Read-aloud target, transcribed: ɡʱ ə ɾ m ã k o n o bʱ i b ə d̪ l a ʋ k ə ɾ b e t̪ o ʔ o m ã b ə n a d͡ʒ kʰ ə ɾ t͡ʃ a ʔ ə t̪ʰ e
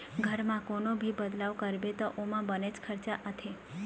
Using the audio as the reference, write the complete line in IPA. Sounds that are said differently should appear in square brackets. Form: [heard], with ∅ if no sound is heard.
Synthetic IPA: ɡʱ ə ɾ m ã k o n o bʱ i b ə d̪ l a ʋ k ə ɾ b e t̪ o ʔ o m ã b ə n [e] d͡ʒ kʰ ə ɾ t͡ʃ a ʔ ə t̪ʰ e